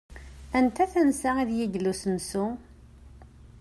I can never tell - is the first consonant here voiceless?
no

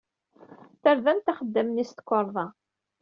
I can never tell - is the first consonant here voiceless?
yes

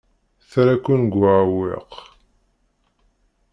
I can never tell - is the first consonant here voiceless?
yes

